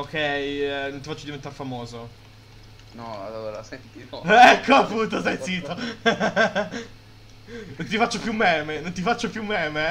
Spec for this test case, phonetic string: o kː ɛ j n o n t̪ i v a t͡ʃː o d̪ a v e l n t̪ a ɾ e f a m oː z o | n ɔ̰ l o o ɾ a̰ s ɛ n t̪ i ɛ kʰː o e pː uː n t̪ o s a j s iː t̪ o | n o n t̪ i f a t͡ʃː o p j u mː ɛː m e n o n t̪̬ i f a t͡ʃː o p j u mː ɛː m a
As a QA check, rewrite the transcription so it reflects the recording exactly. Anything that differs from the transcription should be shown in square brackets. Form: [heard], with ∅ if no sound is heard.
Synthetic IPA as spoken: o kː ɛ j n o n t̪ i [f] a t͡ʃː o d̪ [i] v e [∅] n t̪ a ɾ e f a m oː z o | n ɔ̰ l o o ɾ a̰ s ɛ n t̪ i ɛ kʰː o [a] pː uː n t̪ o s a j s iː t̪ o | n o n t̪ i f a t͡ʃː o p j u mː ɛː m e n o n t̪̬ i f a t͡ʃː o p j u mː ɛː m [e]